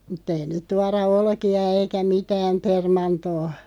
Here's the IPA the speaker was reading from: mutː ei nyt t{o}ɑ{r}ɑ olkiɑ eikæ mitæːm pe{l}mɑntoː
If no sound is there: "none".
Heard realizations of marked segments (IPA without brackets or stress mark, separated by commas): u, r, r